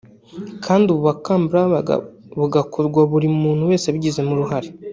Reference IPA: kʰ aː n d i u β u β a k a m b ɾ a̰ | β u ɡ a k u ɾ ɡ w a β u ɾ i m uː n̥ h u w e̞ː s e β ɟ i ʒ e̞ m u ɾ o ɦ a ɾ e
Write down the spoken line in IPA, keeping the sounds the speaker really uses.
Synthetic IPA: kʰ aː n d i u β u β a k a m b ɾ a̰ | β u ɡ a k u ɾ ɡ w a β u ɾ i m uː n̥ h u w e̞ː s e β ɟ i z e̞ m u ɾ u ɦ a ɾ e